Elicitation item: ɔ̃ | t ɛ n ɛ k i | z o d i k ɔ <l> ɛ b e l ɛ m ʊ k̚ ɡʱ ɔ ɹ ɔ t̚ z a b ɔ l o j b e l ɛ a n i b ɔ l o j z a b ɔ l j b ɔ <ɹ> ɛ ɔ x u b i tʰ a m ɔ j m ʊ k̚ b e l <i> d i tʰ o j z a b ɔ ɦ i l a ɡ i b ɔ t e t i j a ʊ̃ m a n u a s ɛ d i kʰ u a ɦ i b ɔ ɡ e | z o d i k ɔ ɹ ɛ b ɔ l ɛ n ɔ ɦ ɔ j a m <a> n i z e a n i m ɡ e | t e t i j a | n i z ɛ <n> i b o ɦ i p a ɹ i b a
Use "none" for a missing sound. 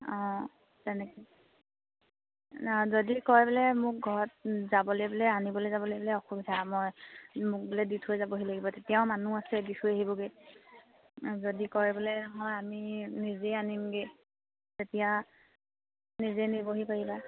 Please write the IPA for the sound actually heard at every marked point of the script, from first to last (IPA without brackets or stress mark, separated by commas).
ɹ, l, ɛ, i, n